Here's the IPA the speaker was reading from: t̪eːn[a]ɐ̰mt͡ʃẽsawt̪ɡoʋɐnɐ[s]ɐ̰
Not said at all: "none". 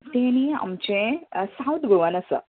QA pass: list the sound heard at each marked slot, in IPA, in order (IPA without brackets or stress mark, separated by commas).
i, s